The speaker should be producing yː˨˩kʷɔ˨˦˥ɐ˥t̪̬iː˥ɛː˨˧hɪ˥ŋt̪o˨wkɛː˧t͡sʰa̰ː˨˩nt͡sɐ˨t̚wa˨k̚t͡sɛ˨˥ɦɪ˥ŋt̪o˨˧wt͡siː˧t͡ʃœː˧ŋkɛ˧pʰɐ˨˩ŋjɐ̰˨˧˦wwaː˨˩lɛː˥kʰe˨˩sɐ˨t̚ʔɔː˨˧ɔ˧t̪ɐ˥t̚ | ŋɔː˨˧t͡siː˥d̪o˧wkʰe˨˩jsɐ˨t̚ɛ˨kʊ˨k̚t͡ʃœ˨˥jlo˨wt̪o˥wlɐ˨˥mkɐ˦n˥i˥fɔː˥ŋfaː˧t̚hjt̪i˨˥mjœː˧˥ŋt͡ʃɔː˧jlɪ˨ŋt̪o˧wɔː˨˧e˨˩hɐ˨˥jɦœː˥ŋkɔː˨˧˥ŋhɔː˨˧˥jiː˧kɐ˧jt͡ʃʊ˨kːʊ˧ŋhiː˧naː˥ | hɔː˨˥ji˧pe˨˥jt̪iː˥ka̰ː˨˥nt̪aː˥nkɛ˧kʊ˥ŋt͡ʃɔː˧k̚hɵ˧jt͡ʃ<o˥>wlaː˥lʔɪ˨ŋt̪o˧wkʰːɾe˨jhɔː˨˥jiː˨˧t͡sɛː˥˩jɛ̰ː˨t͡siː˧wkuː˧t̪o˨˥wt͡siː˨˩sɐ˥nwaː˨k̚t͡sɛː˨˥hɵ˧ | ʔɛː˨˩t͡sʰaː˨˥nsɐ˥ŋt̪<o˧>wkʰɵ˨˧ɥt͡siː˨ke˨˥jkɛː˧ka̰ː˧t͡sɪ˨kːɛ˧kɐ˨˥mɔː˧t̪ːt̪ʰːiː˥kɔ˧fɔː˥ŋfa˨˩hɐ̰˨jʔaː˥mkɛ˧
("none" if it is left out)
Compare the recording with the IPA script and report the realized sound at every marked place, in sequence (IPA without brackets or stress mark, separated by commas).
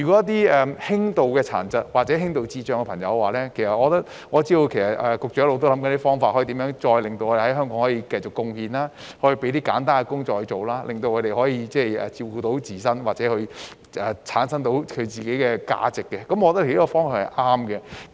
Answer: o˨, o˨˥